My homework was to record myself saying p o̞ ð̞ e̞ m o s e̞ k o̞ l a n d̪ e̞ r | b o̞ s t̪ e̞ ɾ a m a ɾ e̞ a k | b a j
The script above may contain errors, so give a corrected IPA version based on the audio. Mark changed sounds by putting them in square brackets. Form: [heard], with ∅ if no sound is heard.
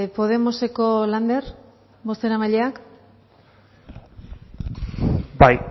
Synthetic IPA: p o̞ ð̞ e̞ m o s e̞ k o̞ l a n d̪ e̞ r | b o̞ s t̪ e̞ ɾ a m a [ʎ] e̞ a k | b a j

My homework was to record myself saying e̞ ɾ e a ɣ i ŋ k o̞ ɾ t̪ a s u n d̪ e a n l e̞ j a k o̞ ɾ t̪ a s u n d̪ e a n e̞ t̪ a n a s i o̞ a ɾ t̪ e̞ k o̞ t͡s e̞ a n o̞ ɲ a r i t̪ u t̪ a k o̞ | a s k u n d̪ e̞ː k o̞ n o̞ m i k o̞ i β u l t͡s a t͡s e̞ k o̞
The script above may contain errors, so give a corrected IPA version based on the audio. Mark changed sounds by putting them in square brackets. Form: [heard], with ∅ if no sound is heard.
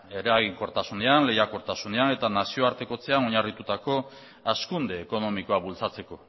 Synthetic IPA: e̞ ɾ e a ɣ i ŋ k o̞ ɾ t̪ a s u n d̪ e a n l e̞ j a k o̞ ɾ t̪ a s u n d̪ e a n e̞ t̪ a n a s i o̞ a ɾ t̪ e̞ k o̞ t͡s e̞ a n o̞ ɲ a r i t̪ u t̪ a k o̞ | a s k u n d̪ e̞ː k o̞ n o̞ m i k o̞ [a] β u l t͡s a t͡s e̞ k o̞

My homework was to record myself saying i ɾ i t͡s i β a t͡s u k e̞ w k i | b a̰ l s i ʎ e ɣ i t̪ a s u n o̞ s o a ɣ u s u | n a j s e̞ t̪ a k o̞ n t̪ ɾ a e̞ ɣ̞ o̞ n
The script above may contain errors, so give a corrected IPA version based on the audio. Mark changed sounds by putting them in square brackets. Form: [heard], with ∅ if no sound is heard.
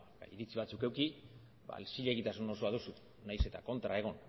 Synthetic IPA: i ɾ i t͡s i β a t͡s u k e̞ w k i | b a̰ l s i ʎ e ɣ i t̪ a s u n o̞ s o a [ð] u s u | n a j s e̞ t̪ a k o̞ n t̪ ɾ a e̞ ɣ̞ o̞ n

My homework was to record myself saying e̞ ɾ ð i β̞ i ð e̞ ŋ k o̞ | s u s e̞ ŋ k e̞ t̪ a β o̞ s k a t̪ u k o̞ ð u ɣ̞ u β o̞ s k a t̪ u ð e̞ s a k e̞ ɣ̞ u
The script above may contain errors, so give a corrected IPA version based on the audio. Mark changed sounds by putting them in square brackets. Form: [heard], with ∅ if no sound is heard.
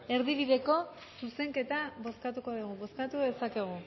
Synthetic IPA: e̞ ɾ ð i β̞ i ð e̞ [∅] k o̞ | s u s e̞ ŋ k e̞ t̪ a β o̞ s k a t̪ u k o̞ ð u ɣ̞ u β o̞ s k a t̪ u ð e̞ s a k e̞ ɣ̞ u

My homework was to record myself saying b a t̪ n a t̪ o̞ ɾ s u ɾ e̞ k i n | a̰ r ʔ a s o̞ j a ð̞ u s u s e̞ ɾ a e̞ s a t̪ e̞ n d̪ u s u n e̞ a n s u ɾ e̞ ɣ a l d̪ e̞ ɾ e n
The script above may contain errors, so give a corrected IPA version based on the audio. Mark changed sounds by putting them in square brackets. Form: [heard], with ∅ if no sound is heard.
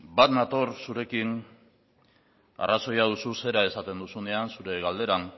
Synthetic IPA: b a t̪ n a t̪ o̞ ɾ s u ɾ e̞ k i n | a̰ r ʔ a s o̞ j a ð̞ u s u s e̞ ɾ a e̞ s a t̪ e̞ n d̪ u s u n e̞ a n s u ɾ e̞ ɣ a l d̪ e̞ ɾ [a] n

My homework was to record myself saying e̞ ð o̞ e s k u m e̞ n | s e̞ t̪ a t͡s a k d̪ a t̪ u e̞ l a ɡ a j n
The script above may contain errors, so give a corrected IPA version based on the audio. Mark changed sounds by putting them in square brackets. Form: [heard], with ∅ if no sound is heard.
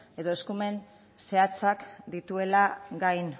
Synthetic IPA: e̞ ð o̞ e s k u m e̞ n | s e̞ [∅] a t͡s a k d̪ [i] t̪ u e̞ l a ɡ a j n

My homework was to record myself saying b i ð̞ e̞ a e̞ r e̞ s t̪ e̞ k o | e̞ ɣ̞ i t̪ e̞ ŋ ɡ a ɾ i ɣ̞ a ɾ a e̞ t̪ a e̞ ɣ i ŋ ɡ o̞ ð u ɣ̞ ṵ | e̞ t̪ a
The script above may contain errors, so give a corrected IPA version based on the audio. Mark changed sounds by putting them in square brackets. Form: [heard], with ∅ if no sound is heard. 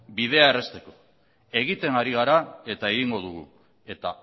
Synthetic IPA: b i ð̞ e̞ a e̞ r e̞ s t̪ e̞ k o | e̞ ɣ̞ i t̪ e̞ ŋ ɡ a ɾ i ɣ̞ a ɾ a e̞ t̪ a e̞ ɣ i ŋ ɡ o̞ ð u ɣ̞ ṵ | e̞ t̪ a

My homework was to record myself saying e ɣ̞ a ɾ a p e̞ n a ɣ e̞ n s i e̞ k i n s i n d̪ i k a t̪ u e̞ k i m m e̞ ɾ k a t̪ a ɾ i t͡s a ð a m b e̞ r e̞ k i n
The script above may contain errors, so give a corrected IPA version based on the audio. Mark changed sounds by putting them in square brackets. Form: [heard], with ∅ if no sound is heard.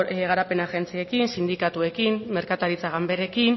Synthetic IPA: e ɣ̞ a ɾ a p e̞ n a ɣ e̞ n [t͡s] i e̞ k i n s i n d̪ i k a t̪ u e̞ k i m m e̞ ɾ k a t̪ a ɾ i t͡s a [ɣ] a m b e̞ [ɾ] e̞ k i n

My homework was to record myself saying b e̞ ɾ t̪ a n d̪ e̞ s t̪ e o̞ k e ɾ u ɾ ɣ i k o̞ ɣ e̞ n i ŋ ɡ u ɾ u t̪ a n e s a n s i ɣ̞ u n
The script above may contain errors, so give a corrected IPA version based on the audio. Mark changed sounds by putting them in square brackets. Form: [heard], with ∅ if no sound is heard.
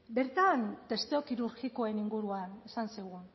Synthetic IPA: b e̞ ɾ t̪ a n [t̪] e̞ s t̪ e o̞ k [i] ɾ u ɾ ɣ i k o̞ [∅] e̞ n i ŋ ɡ u ɾ u [∅] a n e s a n s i ɣ̞ u n

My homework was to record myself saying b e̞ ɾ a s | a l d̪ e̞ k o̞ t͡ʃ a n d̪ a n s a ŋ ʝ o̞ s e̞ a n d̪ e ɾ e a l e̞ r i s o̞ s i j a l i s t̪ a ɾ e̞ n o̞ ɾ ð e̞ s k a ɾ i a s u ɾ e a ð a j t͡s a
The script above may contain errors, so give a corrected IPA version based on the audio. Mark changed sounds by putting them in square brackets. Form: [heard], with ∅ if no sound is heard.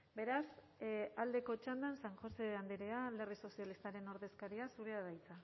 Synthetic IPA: b e̞ ɾ a s | a l d̪ e̞ k o̞ t͡ʃ a n d̪ a n s a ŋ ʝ o̞ s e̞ a n d̪ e ɾ e a l e̞ r i s o̞ s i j a l i s t̪ a ɾ e̞ n o̞ ɾ ð e̞ s k a ɾ i a s u ɾ e a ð a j t͡s a

